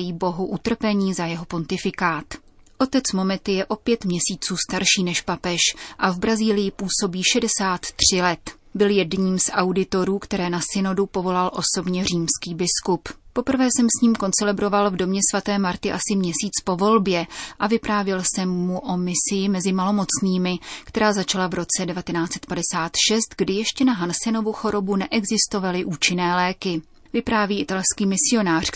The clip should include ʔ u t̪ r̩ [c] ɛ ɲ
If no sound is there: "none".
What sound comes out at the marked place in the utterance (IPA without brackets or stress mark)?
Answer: p